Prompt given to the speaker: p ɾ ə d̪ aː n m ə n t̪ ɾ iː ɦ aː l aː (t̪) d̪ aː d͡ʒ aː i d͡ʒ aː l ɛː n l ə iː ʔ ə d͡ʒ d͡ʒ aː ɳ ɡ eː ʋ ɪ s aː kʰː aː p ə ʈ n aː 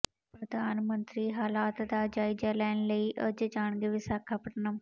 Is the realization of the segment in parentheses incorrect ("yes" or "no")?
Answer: no